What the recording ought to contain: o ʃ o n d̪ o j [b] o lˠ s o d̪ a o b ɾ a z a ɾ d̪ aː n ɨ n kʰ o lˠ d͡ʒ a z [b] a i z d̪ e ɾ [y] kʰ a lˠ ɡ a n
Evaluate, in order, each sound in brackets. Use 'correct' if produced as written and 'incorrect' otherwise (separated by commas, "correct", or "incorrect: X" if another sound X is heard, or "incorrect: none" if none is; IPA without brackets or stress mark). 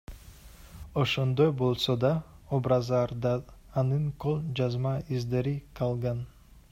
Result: correct, incorrect: m, incorrect: i